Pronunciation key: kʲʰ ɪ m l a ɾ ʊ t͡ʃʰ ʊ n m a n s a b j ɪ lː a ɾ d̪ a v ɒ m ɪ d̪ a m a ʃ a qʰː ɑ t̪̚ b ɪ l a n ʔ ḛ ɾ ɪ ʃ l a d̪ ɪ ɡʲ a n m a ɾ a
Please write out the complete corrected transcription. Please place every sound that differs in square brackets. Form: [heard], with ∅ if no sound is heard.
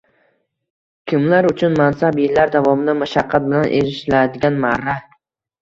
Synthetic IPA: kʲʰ ɪ m l a ɾ ʊ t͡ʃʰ ʊ n m a n s a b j ɪ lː a ɾ d̪ a v ɒ m ɪ d̪ a m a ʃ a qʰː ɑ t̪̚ b ɪ l a n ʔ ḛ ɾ ɪ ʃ l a d̪ ɪ ɡʲ a n m a ɾ a